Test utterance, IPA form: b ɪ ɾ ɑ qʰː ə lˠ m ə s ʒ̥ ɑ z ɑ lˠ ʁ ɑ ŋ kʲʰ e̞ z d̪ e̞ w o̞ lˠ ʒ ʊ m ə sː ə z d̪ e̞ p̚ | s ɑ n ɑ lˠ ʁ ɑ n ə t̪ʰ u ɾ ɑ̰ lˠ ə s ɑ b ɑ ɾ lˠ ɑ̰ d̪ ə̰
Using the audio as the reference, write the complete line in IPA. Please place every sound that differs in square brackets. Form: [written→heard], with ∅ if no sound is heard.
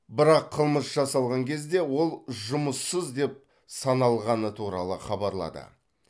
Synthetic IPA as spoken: b ɪ ɾ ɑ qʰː ə lˠ m ə s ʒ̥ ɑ [z→s] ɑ lˠ ʁ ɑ ŋ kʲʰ e̞ z d̪ e̞ w o̞ lˠ ʒ ʊ m ə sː ə z d̪ e̞ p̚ | s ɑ n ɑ lˠ ʁ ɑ n ə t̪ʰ u ɾ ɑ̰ lˠ ə [s→χ] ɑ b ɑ ɾ lˠ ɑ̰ d̪ ə̰

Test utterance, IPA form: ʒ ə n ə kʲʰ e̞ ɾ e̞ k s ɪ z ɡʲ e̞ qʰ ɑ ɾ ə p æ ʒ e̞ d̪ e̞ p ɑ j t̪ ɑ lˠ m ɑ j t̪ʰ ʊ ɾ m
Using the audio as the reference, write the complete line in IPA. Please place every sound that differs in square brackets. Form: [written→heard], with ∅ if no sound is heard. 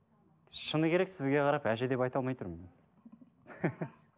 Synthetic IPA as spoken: [ʒ→ʃ] ə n ə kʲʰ e̞ ɾ e̞ k s ɪ z ɡʲ e̞ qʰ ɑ ɾ [ə→ɑ] p æ ʒ e̞ d̪ e̞ p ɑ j t̪ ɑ lˠ m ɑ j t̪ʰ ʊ ɾ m

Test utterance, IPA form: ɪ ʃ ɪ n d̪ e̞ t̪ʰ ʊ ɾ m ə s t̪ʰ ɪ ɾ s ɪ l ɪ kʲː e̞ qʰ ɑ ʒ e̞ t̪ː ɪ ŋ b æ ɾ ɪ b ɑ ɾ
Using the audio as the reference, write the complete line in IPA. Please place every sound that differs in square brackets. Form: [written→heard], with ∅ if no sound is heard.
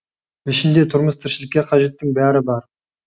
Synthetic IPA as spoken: ɪ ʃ ɪ n d̪ e̞ t̪ʰ ʊ ɾ m ə s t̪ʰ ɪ ɾ [s→ʃ] ɪ l ɪ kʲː e̞ qʰ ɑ ʒ e̞ t̪ː ɪ ŋ b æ ɾ ɪ b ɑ ɾ

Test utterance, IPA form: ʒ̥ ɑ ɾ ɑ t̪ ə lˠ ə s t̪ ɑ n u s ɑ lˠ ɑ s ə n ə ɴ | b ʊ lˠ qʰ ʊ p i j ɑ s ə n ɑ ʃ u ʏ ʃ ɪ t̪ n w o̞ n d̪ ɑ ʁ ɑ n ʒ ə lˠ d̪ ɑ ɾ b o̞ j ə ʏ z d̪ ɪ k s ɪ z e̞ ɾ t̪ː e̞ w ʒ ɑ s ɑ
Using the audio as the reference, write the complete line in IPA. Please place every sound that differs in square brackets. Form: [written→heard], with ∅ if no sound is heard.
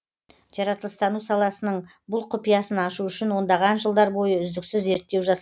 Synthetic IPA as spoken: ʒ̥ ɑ ɾ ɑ t̪ ə lˠ ə s t̪ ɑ n u s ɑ lˠ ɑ s ə n ə ɴ | b ʊ lˠ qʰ ʊ p i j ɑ s ə n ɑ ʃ u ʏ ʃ ɪ [t̪→∅] n w o̞ n d̪ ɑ ʁ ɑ n ʒ ə lˠ d̪ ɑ ɾ b o̞ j ə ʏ z d̪ ɪ k s ɪ z e̞ ɾ t̪ː e̞ w ʒ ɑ s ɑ

